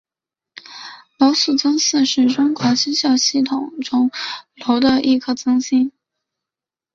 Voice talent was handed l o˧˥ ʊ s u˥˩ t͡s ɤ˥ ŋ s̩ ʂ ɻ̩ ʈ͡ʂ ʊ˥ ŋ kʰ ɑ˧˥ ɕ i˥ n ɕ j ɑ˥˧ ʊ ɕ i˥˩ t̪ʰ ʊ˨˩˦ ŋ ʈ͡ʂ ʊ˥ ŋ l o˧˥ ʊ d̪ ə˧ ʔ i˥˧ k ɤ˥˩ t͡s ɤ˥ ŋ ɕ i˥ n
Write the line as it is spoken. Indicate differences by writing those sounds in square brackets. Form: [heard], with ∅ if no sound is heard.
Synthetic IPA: l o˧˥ ʊ s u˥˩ t͡s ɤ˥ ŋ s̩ ʂ ɻ̩ ʈ͡ʂ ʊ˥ ŋ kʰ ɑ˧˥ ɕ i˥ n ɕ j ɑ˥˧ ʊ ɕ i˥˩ t̪ʰ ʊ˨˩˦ ŋ ʈ͡ʂ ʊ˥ ŋ l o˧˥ ʊ d̪ ə˧ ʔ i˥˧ [kʰ] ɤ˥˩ t͡s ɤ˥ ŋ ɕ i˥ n